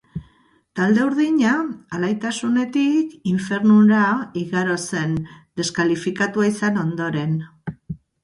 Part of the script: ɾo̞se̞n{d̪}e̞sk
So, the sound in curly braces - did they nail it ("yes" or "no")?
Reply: yes